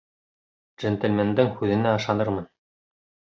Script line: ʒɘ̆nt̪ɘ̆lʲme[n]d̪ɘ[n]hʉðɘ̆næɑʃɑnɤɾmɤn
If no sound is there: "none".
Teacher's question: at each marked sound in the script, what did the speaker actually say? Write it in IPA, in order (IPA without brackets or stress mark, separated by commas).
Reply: n, ŋ